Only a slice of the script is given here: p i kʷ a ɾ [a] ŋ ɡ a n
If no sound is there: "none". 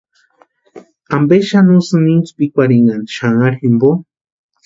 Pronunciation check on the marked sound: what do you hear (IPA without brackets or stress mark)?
i